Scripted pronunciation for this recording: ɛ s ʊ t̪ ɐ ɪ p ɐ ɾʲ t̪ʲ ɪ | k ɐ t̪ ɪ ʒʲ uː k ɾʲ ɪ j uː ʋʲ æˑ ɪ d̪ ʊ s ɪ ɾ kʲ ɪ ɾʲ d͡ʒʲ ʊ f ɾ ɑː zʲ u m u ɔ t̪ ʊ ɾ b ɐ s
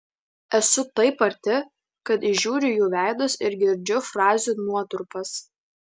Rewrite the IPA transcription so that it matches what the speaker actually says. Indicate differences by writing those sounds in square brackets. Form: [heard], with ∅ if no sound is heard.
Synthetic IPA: ɛ s ʊ t̪ ɐ ɪ p ɐ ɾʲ t̪ʲ ɪ | k ɐ t̪ ɪ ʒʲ uː [∅] ɾʲ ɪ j uː ʋʲ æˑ ɪ d̪ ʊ s ɪ ɾ [ɡʲ] ɪ ɾʲ d͡ʒʲ ʊ f ɾ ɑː zʲ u [n] u ɔ t̪ ʊ ɾ [p] ɐ s